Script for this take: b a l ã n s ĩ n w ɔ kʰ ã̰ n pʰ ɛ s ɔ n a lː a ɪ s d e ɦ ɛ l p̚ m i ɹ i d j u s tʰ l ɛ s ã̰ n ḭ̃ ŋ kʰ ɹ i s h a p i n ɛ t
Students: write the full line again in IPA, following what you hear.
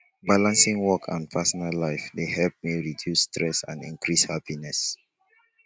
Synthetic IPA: b a l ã n s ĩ ŋ w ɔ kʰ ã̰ n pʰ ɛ s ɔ n a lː a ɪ f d e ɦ ɛ l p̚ m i ɹ i d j u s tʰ ɹ ɛ s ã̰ n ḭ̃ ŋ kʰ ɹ i s h a p i n ɛ s